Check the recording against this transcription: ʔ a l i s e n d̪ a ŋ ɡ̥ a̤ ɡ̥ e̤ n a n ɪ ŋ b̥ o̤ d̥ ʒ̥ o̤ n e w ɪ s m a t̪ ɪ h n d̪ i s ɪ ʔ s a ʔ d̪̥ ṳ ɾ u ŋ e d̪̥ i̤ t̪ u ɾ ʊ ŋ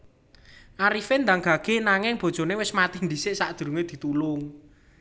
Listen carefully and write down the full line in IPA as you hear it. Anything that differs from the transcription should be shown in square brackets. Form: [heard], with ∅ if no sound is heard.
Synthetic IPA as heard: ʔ a [ɾ] i [f] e n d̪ a ŋ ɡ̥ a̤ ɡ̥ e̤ n a [ŋ] ɪ ŋ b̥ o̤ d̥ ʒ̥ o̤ n e w ɪ s m a t̪ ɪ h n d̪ i s ɪ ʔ s a ʔ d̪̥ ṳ ɾ u ŋ e d̪̥ i̤ t̪ u [l] ʊ ŋ